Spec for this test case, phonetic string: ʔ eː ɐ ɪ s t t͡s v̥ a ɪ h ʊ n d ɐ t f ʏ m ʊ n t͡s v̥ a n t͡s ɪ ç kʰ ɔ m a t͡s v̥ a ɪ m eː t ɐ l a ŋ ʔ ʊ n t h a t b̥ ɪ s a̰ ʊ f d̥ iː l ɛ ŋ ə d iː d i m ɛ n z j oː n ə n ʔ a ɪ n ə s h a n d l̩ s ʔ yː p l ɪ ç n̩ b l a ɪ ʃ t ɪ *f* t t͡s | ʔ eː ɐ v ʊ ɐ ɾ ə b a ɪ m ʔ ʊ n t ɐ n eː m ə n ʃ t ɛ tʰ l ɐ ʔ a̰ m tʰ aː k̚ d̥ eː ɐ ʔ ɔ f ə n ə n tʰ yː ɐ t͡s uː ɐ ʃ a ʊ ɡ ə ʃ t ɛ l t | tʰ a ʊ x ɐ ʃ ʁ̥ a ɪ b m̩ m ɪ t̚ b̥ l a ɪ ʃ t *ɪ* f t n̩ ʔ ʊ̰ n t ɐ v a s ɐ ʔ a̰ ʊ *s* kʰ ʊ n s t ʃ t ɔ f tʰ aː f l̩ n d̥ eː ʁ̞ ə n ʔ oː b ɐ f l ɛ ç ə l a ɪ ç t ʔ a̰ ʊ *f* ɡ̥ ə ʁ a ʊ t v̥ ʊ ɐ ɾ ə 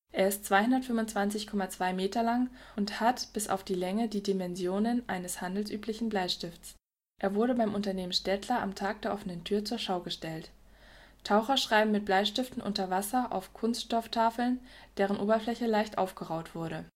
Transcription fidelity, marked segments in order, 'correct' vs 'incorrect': correct, correct, incorrect, correct

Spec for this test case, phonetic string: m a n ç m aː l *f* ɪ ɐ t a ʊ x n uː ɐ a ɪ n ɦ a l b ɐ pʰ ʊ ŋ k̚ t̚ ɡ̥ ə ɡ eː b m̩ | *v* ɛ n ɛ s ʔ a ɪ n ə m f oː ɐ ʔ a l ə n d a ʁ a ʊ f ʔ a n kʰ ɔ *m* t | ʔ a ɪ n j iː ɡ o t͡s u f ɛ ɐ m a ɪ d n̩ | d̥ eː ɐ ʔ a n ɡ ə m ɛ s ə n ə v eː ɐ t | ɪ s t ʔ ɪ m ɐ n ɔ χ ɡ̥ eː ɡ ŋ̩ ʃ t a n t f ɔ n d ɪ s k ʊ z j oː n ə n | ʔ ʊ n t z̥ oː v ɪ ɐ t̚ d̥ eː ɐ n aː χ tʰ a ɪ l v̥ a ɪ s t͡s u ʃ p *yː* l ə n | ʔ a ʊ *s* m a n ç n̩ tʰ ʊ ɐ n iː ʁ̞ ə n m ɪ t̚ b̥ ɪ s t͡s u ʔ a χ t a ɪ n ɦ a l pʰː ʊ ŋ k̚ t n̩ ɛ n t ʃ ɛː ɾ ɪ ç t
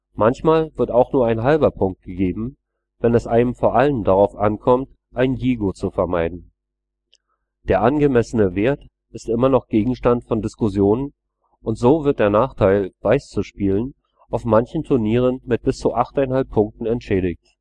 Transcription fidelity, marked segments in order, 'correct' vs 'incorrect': incorrect, correct, correct, incorrect, incorrect

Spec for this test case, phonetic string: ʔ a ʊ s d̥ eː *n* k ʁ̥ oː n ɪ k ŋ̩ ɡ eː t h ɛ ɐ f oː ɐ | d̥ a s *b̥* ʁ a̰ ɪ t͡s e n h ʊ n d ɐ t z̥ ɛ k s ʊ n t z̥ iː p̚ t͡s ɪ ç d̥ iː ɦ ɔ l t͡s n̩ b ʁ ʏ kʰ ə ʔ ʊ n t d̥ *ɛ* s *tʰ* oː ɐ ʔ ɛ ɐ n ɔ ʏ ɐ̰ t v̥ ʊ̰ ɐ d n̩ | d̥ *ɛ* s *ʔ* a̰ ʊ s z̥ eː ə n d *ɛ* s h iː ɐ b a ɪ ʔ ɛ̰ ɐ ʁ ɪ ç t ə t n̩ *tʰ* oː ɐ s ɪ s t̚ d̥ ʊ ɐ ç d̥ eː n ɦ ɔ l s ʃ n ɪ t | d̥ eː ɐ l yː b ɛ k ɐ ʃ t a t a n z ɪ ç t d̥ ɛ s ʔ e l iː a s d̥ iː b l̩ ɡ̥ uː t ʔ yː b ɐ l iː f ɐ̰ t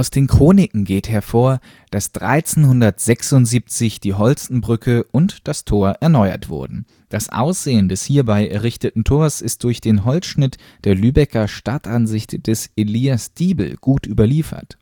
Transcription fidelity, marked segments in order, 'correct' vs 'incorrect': correct, incorrect, incorrect, correct, incorrect, correct, correct, correct

